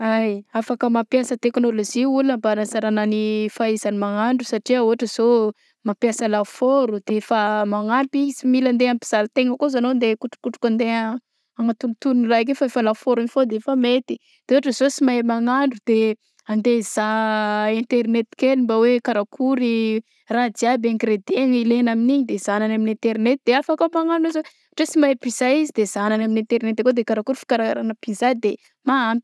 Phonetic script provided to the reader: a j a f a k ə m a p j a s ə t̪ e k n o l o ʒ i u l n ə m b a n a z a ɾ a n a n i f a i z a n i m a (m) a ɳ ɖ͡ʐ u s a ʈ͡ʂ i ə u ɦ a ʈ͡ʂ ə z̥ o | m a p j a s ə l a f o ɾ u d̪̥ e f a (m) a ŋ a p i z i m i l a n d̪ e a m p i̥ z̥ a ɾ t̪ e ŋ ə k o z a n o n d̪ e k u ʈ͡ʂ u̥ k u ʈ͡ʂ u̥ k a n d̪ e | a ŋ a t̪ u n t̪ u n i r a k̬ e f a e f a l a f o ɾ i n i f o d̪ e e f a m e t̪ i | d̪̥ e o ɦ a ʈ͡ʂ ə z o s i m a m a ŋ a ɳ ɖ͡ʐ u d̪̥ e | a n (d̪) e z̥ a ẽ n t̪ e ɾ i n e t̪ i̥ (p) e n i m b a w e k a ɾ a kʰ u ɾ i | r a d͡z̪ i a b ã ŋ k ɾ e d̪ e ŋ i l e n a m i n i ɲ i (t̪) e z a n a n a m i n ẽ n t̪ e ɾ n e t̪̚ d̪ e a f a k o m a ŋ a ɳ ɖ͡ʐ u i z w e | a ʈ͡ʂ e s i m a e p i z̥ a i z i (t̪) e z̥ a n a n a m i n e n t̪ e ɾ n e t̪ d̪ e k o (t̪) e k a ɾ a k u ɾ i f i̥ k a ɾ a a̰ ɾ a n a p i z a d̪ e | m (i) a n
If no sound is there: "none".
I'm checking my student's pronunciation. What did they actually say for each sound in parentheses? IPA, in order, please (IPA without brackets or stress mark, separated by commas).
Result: ŋ, m, d̪, k, d̪, d̪, d̪, a